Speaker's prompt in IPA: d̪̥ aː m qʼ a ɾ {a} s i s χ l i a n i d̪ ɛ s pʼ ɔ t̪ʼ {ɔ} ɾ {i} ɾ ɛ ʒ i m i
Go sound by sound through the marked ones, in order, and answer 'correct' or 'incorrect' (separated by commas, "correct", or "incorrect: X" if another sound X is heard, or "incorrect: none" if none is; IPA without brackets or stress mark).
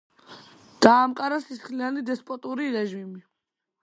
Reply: correct, incorrect: u, correct